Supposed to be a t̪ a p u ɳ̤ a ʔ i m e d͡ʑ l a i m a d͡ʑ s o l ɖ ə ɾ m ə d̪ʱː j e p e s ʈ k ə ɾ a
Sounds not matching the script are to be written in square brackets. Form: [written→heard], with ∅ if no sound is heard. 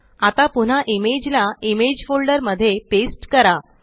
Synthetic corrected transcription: a t̪ a p u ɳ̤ a ʔ i m e d͡ʑ l a i m [a→e] d͡ʑ [s→f] o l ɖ ə ɾ m ə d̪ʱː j e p e s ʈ k ə ɾ a